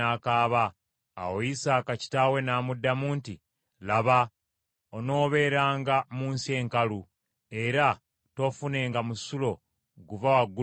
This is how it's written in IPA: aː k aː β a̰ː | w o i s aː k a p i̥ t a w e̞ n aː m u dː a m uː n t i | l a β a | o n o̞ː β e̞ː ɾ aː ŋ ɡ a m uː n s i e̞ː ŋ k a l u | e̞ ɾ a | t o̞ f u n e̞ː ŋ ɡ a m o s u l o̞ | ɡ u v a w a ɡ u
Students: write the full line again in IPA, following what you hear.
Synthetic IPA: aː k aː β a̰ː | w o i s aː k a c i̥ t a w e̞ n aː m u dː a m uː n t i | l a β a | o n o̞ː β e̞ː ɾ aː ŋ ɡ a m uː n s i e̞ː ŋ k a l u | e̞ ɾ a | t o̞ f u n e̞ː ŋ ɡ a m u s u l o̞ | ɡ u v a w a ɡ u